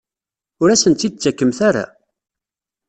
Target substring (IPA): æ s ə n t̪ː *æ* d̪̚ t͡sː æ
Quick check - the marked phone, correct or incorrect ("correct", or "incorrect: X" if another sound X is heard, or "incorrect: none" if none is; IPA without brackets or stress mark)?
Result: incorrect: i